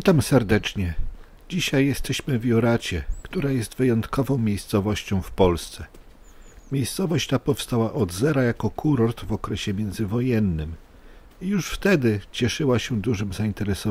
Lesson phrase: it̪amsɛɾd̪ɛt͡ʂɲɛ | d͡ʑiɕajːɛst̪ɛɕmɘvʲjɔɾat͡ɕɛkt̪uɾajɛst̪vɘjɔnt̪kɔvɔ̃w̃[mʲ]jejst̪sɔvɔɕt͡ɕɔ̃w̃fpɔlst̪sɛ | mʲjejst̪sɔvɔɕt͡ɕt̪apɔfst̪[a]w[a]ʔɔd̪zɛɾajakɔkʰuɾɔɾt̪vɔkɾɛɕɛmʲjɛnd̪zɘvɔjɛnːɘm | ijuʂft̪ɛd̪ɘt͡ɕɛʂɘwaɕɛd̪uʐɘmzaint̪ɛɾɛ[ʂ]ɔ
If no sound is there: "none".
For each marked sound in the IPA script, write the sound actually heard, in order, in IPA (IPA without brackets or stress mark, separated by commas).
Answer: mʲ, a, a, s